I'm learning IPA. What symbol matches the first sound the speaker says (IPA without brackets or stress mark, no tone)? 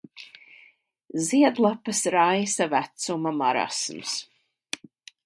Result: z